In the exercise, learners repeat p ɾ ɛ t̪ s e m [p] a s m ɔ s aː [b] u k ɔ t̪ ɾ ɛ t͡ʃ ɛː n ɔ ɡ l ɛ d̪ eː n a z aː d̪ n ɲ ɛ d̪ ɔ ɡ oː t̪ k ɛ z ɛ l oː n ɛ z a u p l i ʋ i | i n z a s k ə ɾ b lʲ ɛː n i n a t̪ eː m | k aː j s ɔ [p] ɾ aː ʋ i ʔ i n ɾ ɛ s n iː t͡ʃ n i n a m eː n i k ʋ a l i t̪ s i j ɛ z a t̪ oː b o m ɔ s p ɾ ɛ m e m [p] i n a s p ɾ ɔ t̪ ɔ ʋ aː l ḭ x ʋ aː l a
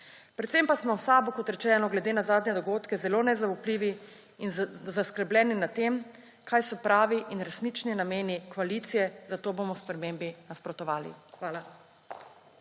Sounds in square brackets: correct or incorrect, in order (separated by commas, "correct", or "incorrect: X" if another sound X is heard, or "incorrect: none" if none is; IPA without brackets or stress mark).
correct, correct, correct, incorrect: b